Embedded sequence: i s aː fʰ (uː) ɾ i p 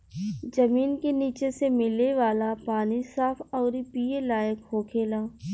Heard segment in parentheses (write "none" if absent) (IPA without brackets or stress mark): ɔː